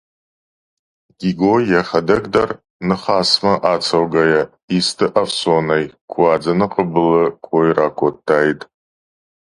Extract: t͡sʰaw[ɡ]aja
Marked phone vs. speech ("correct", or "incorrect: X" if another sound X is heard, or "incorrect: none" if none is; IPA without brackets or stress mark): correct